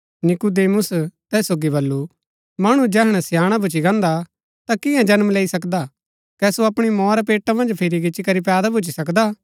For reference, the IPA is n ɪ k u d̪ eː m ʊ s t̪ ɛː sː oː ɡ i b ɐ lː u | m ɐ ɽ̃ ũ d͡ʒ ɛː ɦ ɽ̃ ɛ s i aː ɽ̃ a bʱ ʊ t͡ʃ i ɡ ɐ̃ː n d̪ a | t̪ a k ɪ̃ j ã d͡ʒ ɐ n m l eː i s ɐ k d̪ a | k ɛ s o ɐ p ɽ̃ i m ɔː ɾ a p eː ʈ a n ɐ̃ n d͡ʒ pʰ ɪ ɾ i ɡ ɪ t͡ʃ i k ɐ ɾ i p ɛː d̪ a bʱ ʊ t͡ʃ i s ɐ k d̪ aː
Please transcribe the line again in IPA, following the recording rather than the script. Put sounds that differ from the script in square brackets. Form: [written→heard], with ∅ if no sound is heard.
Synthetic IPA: n ɪ k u d̪ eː m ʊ s t̪ ɛː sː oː ɡ i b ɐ lː u | m ɐ ɽ̃ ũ d͡ʒ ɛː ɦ ɽ̃ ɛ s [i→j] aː ɽ̃ a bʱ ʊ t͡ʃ i ɡ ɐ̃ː n d̪ a | t̪ a k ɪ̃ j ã d͡ʒ ɐ n m l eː i s ɐ k d̪ a | k ɛ s o ɐ p ɽ̃ i m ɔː ɾ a p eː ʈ a [n→m] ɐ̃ n d͡ʒ pʰ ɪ ɾ i ɡ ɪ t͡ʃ i k ɐ ɾ i p ɛː d̪ a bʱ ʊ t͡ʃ i s ɐ k d̪ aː